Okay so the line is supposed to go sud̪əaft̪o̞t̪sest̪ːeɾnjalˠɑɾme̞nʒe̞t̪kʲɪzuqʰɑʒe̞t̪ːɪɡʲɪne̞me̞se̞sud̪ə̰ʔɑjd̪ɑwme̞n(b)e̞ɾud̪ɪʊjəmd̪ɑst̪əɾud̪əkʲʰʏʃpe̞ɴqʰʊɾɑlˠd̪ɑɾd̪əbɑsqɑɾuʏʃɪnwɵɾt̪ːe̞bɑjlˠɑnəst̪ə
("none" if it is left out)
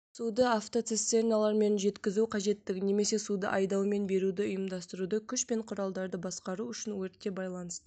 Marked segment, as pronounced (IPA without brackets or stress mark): b